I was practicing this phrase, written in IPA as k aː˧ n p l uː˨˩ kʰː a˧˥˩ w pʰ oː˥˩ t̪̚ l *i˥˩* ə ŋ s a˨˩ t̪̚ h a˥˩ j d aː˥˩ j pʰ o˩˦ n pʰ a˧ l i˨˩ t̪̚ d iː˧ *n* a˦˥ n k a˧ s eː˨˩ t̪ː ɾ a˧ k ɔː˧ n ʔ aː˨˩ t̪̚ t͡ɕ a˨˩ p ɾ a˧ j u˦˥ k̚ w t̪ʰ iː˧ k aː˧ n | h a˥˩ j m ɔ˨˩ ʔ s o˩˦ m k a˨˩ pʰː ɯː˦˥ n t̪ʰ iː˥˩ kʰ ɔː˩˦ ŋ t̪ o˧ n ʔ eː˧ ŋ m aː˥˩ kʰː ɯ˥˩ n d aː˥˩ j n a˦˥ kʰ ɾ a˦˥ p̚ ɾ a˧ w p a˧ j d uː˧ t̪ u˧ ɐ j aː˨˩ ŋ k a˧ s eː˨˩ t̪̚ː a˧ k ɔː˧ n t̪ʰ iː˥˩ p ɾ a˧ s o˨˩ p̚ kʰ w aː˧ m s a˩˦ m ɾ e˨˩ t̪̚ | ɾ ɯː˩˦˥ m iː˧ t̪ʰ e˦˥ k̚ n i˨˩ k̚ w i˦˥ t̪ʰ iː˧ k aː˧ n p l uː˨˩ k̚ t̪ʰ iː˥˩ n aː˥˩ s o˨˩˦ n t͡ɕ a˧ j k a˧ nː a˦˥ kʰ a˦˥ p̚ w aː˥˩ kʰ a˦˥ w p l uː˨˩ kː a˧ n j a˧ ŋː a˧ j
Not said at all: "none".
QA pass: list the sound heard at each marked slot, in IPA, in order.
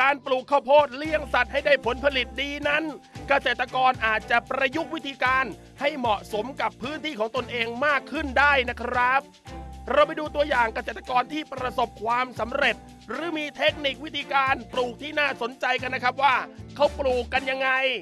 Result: i˥˩, n

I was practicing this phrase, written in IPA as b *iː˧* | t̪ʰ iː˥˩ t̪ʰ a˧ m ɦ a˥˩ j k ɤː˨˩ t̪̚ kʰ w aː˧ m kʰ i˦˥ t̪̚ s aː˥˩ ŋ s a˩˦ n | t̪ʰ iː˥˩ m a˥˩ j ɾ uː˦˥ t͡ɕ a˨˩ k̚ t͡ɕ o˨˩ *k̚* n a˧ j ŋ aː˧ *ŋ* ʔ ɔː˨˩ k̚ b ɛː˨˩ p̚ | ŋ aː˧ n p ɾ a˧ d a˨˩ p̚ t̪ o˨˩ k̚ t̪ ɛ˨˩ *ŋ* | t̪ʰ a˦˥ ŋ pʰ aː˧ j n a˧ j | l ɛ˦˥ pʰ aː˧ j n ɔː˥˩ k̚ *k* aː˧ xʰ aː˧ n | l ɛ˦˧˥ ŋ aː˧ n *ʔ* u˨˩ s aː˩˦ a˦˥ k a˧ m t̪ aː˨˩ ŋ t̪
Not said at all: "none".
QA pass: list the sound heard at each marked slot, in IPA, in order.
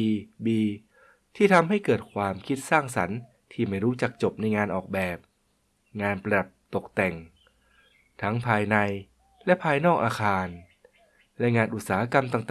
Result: iː˧, p̚, n, ŋ, ʔ, ʔ

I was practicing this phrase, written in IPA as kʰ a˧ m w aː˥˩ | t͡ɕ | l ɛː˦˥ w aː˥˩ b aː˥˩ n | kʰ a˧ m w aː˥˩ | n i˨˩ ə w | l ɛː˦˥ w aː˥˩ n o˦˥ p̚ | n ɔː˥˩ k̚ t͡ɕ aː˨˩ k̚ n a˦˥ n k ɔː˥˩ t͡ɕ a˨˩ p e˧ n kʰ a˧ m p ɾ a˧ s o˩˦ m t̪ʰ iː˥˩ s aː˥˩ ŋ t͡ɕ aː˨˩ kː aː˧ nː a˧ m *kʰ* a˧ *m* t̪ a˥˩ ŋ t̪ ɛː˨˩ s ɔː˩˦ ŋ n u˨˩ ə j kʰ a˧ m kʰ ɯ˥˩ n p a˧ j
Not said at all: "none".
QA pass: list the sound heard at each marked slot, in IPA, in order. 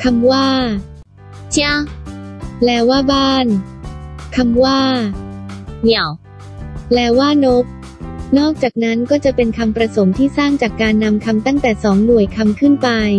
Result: kʰ, m

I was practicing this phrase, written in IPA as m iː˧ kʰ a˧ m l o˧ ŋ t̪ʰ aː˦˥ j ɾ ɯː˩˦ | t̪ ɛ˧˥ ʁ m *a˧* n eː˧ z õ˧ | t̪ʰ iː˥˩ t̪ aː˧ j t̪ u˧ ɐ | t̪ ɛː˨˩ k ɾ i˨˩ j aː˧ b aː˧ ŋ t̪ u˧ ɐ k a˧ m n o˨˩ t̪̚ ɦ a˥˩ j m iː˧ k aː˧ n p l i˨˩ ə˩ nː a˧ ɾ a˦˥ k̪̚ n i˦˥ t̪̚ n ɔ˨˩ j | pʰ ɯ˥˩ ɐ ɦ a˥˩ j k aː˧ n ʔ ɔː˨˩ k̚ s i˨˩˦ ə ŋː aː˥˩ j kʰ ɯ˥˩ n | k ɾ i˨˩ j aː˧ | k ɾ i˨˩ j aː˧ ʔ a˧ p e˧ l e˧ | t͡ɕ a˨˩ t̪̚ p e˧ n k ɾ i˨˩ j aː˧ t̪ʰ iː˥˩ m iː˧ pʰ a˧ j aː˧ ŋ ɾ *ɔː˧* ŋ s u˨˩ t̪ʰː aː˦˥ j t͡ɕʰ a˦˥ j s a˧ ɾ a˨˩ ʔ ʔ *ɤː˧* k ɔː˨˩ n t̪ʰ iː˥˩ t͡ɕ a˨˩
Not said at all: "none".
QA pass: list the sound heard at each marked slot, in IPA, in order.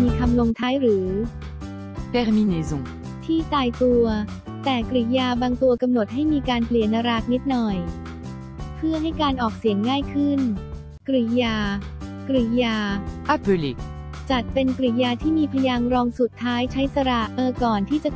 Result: i˧, ɔː˧, ɤː˧

